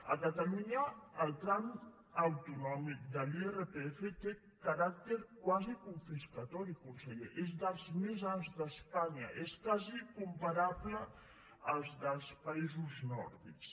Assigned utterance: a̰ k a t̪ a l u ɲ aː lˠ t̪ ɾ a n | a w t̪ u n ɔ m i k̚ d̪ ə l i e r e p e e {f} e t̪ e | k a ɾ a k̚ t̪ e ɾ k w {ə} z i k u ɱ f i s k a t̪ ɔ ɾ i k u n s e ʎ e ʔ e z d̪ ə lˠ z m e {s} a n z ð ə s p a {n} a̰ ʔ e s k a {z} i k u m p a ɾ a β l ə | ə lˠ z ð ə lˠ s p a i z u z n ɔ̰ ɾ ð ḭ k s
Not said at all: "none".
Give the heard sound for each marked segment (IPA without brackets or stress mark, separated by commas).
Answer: f, a, z, ɲ, z